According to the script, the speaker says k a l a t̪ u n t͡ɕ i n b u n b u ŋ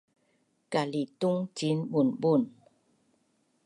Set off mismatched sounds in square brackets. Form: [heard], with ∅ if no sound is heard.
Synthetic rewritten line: k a l [i] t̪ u [ŋ] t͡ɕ i n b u n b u [n]

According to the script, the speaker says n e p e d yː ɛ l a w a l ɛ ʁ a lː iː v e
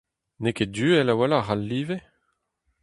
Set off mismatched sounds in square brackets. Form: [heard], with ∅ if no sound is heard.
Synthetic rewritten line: n e [k] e d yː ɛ l a w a l [a] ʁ a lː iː v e

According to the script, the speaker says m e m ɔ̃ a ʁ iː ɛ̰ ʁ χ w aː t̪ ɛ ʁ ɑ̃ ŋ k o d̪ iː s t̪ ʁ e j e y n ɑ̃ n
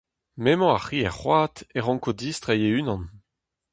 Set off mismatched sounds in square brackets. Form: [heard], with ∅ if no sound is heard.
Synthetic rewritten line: m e m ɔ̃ a [χ] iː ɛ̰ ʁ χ w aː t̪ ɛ ʁ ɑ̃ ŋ k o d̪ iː s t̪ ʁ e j e y n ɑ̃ n

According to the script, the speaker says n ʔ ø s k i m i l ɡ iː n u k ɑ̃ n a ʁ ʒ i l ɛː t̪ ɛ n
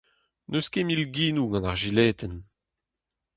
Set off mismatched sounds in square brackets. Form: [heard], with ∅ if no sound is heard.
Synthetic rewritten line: n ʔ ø s k [e] m i l ɡ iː n u [ɡ] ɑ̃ n a ʁ ʒ i l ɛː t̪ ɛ n

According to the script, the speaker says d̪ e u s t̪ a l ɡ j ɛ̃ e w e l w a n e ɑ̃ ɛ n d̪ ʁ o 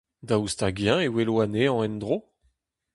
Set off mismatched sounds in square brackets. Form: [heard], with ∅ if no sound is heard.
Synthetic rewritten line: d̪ [a] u s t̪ a [∅] ɡ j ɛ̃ e w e l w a n e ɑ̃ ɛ n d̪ ʁ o

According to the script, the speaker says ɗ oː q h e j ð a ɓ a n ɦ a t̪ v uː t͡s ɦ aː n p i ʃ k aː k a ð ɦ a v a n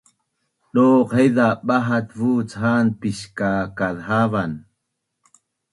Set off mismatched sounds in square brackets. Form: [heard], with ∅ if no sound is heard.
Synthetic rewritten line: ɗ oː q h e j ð a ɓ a [∅] ɦ a t̪ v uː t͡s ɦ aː n p i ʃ k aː k a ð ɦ a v a n

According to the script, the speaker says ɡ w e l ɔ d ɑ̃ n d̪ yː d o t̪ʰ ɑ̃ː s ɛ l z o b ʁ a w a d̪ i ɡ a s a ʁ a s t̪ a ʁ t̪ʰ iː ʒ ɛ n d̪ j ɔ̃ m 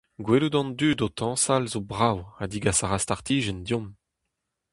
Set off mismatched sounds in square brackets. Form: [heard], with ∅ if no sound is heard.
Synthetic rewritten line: ɡ w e l [u] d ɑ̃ n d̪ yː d o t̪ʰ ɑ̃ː s [a] l z o b ʁ a w a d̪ i ɡ a s a ʁ a s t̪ a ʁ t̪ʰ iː ʒ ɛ n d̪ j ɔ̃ m

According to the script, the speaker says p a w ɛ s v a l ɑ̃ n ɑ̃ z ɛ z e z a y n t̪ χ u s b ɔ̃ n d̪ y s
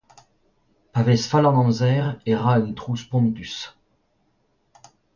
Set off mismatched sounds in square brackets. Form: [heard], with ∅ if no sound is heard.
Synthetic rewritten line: p a [v] ɛ s [f] a l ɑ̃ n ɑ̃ z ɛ [ʁ] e [ʁ] a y n t̪ χ u s [p] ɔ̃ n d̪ y s

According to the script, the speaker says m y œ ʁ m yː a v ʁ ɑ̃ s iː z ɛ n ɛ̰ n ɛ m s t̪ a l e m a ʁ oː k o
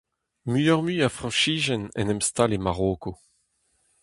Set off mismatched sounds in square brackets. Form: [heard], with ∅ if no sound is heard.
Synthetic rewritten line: m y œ ʁ m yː a [f] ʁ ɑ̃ [ʃ] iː [ʒ] ɛ n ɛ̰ n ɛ m s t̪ a l e m a ʁ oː k o

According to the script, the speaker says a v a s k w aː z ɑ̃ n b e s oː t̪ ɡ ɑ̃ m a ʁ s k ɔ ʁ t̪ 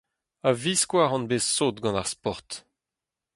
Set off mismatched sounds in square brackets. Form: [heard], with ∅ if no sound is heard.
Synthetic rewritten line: a v [i] s k w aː [ʁ] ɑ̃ n b e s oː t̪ ɡ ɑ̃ [n] a ʁ s [p] ɔ ʁ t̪

